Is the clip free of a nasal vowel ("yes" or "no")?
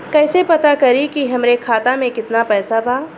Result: no